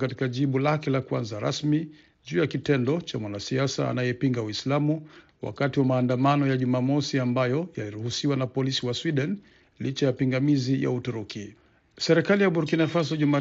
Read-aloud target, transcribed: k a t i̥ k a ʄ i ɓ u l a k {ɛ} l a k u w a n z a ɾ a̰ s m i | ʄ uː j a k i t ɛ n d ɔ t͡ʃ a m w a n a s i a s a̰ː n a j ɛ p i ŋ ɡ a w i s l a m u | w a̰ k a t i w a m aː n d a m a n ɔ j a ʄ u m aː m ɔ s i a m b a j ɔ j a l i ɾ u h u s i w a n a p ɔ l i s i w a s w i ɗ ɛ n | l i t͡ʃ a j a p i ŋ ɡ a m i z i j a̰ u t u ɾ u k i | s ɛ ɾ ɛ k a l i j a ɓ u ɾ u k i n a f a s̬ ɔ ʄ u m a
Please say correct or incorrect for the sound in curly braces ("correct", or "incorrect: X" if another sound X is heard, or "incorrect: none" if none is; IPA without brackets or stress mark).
correct